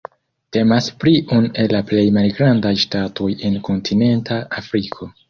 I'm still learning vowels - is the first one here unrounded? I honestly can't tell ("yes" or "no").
yes